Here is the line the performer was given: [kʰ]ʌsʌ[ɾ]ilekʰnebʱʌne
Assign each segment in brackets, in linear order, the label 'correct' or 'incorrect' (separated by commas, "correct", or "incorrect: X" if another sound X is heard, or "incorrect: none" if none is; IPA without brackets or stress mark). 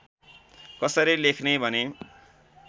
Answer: incorrect: k, correct